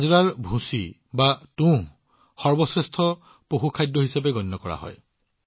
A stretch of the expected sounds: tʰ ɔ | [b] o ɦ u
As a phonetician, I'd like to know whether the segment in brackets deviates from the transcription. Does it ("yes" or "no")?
yes